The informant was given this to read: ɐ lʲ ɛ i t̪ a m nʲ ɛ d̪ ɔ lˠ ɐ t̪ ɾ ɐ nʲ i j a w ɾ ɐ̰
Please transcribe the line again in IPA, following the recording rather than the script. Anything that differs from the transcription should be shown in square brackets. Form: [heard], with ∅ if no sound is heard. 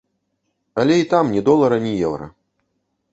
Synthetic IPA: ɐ lʲ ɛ i t̪ a m nʲ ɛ d̪ ɔ lˠ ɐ [∅] ɾ ɐ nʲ i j [ɛ] w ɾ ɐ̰